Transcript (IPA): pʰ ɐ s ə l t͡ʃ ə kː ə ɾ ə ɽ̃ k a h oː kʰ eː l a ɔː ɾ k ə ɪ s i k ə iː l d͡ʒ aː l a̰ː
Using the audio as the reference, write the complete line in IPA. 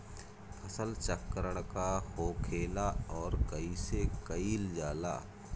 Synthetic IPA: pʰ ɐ s ə l t͡ʃ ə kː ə ɾ ə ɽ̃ k a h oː kʰ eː l a ɔː ɾ k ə i s e k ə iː l d͡ʒ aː l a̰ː